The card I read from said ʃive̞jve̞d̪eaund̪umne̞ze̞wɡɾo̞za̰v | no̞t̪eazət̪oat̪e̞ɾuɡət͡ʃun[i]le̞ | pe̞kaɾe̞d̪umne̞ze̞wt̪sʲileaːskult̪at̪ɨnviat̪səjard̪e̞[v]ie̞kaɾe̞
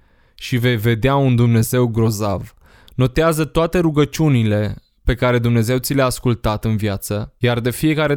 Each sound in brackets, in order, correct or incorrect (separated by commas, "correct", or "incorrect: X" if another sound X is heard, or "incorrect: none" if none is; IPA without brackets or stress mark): correct, incorrect: f